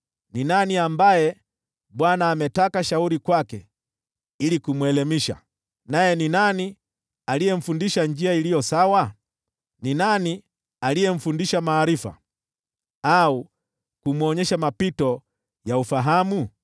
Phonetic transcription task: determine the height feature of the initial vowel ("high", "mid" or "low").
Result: high